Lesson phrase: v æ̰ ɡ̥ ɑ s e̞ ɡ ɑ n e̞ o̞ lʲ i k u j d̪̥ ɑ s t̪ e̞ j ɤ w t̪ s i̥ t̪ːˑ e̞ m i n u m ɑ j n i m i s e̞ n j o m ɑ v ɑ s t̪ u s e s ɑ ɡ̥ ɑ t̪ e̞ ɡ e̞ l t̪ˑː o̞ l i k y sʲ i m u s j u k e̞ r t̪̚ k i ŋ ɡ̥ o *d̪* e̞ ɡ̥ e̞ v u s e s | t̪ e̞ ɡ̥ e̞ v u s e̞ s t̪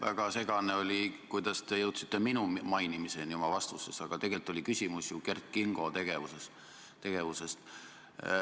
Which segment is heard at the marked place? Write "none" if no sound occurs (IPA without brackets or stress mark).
t̪